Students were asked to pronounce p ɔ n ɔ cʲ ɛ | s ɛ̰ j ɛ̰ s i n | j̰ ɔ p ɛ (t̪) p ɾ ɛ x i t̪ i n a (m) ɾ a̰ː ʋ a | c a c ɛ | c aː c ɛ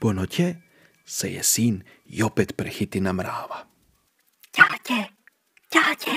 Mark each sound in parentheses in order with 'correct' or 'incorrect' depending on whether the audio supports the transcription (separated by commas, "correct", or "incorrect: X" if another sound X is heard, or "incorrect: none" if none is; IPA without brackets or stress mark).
correct, correct